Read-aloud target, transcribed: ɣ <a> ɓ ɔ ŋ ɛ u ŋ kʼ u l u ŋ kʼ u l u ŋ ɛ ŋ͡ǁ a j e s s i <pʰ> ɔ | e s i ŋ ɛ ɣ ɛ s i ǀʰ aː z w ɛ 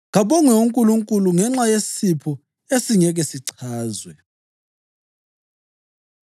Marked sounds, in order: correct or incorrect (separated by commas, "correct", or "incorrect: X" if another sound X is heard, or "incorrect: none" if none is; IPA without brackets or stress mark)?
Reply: correct, correct